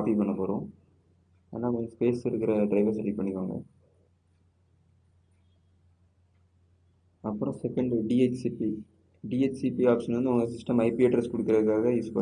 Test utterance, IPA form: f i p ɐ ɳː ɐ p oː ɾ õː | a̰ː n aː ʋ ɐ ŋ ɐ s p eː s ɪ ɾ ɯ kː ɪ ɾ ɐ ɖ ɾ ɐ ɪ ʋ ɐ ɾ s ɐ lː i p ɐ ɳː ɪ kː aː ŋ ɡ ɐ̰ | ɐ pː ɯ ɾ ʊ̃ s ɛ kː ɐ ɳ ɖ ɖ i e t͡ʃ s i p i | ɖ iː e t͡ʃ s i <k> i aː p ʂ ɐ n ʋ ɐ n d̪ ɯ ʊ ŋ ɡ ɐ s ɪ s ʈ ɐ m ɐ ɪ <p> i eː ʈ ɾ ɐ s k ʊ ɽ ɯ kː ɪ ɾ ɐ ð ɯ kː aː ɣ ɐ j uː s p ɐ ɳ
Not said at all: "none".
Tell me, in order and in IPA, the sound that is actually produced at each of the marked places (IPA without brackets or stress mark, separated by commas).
p, p